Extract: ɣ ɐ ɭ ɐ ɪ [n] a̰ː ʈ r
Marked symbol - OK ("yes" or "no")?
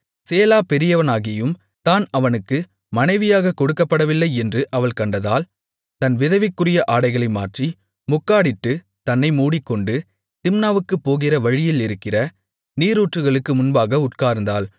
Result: no